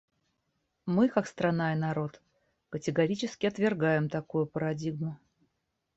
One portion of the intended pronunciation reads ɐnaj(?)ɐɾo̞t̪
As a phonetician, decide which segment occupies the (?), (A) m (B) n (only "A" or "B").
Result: B